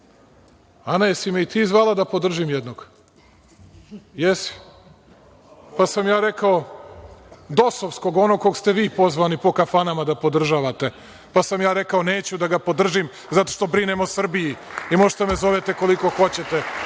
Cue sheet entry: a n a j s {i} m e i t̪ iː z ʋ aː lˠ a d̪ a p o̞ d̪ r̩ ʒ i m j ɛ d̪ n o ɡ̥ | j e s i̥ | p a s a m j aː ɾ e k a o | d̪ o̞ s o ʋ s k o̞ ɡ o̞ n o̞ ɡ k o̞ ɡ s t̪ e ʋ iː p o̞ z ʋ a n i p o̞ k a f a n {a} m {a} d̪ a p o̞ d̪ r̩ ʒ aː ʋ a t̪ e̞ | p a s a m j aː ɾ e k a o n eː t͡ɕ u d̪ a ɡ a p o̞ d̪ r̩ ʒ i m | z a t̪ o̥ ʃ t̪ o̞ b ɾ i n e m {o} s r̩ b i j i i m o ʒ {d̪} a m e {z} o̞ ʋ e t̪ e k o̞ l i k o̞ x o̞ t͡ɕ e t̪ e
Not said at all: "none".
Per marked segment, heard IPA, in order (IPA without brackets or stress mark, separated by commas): i, a, a, o, t̪, z